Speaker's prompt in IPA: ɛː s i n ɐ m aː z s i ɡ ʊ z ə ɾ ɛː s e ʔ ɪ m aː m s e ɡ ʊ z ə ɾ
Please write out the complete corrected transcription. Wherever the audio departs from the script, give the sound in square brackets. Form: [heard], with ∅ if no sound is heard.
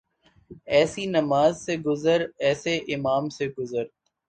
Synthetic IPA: ɛː s i n ɐ m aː z s [e] ɡ ʊ z ə ɾ ɛː s e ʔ ɪ m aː m s e ɡ ʊ z ə ɾ